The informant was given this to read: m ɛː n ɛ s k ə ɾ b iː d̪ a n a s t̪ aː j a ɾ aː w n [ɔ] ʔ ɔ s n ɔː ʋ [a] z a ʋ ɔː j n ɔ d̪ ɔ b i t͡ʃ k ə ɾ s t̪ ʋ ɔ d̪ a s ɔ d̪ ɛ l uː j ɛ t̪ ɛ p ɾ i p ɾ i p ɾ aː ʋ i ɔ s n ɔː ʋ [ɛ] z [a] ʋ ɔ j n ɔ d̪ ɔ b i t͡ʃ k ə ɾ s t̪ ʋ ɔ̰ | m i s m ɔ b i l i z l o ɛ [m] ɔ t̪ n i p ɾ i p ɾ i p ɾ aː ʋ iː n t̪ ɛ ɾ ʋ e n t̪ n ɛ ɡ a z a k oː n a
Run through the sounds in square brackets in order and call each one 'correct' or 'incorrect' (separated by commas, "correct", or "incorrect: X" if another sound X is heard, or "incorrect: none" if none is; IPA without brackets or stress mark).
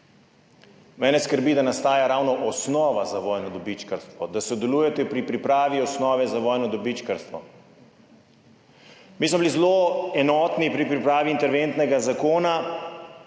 correct, correct, correct, correct, incorrect: n